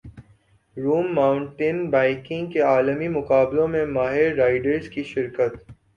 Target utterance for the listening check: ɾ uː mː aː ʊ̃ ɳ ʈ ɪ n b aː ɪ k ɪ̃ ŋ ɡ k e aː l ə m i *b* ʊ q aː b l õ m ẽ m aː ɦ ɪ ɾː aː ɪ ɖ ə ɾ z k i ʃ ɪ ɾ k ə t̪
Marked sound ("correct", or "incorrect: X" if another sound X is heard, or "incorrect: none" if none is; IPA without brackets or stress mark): incorrect: m